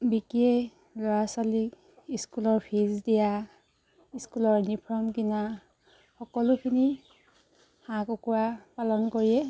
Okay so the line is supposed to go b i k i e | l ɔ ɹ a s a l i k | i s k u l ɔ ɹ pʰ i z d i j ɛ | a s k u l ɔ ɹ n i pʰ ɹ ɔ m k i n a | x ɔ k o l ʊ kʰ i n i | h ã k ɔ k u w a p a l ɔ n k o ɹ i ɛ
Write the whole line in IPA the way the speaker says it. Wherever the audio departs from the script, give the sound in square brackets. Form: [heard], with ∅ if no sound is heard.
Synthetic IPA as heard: b i k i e | l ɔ ɹ a s a l i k | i s k u l ɔ ɹ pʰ i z d i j [a] | [i] s k u l ɔ ɹ n i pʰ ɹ ɔ m k i n a | x ɔ k [ɔ] l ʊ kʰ i n i | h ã k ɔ k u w a p a l ɔ n k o ɹ i ɛ